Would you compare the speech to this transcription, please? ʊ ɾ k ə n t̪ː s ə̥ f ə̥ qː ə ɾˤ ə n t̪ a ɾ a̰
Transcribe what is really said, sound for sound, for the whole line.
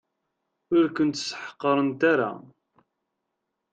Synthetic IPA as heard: ʊ ɾ k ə n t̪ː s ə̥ ħ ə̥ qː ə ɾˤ ə n t̪ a ɾ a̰